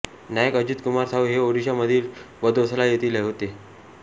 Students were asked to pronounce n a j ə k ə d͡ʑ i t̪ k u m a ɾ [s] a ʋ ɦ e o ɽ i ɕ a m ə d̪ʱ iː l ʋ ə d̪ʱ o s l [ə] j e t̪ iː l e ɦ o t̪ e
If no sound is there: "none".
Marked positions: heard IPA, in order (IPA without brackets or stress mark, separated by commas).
s, a